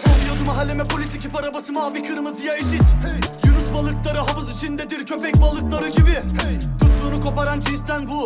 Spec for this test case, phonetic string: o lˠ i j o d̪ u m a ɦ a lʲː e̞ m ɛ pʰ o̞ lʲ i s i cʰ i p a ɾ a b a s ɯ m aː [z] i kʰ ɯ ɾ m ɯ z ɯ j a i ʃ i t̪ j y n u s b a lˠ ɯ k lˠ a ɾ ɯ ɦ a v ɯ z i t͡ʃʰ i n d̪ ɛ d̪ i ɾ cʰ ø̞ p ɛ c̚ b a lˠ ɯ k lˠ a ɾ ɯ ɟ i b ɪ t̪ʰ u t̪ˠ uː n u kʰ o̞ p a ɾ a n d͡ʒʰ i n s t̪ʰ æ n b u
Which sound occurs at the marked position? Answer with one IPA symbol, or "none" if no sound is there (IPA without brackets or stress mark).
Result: v